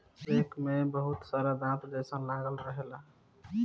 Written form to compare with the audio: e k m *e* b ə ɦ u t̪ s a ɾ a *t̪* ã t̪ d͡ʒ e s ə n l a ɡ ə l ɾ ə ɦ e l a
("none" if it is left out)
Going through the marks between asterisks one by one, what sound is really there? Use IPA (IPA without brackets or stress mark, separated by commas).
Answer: e, d̪